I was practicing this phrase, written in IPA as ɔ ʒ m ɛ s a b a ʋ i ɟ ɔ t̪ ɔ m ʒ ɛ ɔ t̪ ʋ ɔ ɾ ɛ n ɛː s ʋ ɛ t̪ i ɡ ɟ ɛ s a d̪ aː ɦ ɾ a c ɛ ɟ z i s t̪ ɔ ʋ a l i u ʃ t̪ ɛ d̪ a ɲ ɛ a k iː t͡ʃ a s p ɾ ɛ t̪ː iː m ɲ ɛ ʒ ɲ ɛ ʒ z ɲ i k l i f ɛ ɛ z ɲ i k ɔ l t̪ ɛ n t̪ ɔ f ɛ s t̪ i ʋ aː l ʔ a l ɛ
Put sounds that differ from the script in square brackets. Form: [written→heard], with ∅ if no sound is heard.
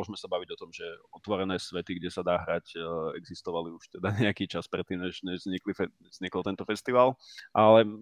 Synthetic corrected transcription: ɔ ʒ m ɛ s a b a ʋ i ɟ ɔ t̪ ɔ m ʒ ɛ ɔ t̪ ʋ ɔ ɾ ɛ n ɛː s ʋ ɛ t̪ i ɡ ɟ ɛ s a d̪ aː ɦ ɾ a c ɛ [ɟ→ɡ] z i s t̪ ɔ ʋ a l i u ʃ t̪ ɛ d̪ a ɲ ɛ a k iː t͡ʃ a s p ɾ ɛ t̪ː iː m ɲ ɛ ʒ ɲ ɛ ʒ z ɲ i k l i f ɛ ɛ z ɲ i k ɔ l t̪ ɛ n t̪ ɔ f ɛ s t̪ i ʋ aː l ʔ a l ɛ